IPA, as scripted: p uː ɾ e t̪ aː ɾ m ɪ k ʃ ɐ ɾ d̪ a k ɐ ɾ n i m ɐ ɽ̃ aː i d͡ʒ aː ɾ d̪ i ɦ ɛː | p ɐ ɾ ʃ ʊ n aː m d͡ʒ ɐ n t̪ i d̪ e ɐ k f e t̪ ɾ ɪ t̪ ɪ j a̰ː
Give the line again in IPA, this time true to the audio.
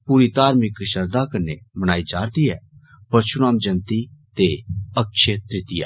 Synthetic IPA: p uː ɾ i t̪ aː ɾ m ɪ k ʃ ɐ ɾ d̪ a k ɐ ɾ n e m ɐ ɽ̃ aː i d͡ʒ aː ɾ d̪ i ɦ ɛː | p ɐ ɾ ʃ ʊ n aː m d͡ʒ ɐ n t̪ i t̪ e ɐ k ʃ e t̪ ɾ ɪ t̪ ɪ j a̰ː